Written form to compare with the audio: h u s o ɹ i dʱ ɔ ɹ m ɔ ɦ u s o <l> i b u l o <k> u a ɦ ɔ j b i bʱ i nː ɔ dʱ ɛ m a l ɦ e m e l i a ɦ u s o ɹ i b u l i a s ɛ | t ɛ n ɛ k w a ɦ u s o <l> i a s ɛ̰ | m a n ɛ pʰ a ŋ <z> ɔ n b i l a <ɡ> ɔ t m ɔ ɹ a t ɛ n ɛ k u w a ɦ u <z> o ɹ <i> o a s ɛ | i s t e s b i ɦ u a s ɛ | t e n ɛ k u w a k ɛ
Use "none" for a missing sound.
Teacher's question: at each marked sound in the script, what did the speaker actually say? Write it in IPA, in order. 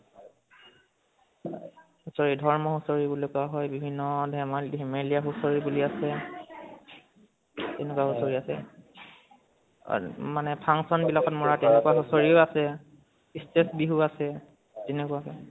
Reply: ɹ, k, ɹ, s, k, s, i

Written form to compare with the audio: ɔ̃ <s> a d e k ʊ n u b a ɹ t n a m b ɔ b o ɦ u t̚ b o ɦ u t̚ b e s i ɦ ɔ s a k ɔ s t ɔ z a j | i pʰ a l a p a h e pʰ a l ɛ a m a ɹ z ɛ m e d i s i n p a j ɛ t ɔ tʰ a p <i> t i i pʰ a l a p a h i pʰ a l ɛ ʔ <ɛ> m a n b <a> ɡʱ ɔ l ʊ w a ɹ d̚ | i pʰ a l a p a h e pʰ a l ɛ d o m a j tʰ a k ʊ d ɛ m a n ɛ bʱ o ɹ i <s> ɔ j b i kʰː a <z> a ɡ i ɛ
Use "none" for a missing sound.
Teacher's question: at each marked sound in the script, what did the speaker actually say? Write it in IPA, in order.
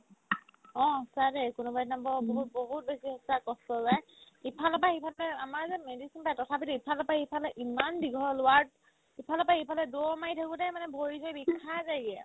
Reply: s, i, i, i, z, z

